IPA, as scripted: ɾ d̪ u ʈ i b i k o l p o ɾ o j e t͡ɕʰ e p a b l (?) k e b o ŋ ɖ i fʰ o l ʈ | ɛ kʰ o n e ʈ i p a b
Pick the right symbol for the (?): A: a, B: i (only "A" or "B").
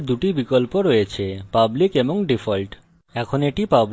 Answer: B